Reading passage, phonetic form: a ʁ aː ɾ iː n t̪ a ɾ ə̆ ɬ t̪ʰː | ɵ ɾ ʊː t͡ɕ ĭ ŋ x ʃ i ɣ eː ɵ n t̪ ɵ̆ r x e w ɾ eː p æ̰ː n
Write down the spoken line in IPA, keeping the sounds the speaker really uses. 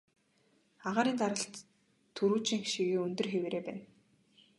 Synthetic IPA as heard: a ʁ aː ɾ iː n t̪ a ɾ ə̆ ɬ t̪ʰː | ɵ ɾ uː t͡ɕ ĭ ŋ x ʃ i ɣ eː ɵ n t̪ ɵ̆ r x e w ɾ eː p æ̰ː n